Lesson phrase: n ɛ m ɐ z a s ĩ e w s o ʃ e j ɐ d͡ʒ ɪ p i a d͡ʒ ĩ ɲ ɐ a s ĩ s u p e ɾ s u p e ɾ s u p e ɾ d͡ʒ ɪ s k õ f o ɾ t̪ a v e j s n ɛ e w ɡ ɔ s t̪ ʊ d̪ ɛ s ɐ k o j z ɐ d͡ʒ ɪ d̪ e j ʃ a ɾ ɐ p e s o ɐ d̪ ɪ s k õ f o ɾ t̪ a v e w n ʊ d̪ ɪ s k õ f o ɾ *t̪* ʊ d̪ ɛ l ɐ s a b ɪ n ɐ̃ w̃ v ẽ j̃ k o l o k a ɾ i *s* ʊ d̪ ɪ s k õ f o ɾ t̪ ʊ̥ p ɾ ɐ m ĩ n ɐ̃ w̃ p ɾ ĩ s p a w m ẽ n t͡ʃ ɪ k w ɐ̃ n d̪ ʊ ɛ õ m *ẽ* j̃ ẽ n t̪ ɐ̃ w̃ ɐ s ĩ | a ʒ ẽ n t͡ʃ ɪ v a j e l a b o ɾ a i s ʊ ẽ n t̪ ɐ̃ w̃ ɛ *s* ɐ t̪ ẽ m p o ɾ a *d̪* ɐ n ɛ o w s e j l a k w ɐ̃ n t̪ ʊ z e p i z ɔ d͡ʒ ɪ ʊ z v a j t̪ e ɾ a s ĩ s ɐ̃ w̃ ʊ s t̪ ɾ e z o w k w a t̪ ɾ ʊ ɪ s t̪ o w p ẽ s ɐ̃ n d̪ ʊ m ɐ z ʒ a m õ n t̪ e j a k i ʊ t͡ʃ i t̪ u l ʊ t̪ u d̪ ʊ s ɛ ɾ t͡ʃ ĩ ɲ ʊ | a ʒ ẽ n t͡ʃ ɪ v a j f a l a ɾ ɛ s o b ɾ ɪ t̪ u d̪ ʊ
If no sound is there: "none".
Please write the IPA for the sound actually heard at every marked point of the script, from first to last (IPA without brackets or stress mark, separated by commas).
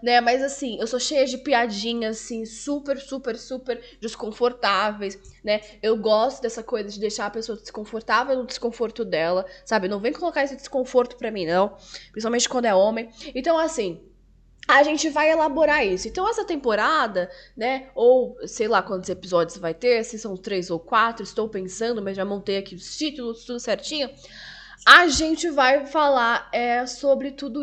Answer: t̪, s, ẽ, s, d̪